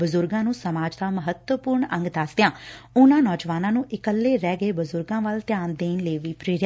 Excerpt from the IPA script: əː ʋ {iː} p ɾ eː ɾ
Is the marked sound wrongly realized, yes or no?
no